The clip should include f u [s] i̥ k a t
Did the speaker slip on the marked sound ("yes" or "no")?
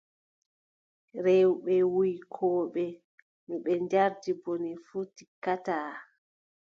yes